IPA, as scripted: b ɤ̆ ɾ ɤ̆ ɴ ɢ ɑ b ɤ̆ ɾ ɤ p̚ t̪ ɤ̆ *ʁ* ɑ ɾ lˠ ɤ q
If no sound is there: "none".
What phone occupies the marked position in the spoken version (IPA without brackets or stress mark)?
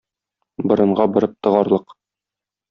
ʁ